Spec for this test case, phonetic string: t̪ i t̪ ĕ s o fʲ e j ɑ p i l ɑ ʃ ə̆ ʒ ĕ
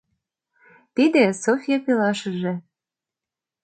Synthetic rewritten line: t̪ i d̪ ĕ s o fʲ i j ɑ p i l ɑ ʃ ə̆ ʒ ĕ